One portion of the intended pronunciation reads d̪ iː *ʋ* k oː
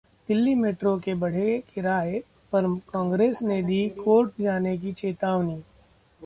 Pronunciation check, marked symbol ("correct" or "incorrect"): incorrect